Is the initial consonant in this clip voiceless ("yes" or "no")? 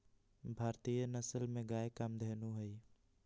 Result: no